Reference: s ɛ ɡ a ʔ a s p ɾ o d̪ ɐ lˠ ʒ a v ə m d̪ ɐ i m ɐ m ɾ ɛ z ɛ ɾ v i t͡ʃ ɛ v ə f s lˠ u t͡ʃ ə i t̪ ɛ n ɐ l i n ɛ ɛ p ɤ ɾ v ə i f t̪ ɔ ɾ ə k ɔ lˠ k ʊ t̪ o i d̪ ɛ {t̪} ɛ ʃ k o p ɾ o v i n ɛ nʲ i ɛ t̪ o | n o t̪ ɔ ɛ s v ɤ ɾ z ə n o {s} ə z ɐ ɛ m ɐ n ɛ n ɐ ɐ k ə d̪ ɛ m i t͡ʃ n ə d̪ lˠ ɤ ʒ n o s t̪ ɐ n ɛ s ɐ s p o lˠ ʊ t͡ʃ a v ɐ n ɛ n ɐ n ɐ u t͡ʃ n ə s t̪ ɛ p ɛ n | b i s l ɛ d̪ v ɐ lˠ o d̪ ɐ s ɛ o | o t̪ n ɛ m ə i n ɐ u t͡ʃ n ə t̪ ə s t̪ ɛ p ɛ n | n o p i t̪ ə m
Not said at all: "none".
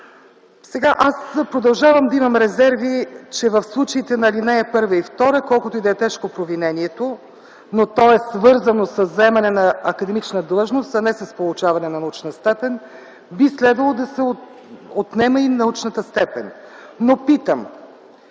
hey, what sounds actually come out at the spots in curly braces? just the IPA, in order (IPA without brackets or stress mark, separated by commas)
t̪, s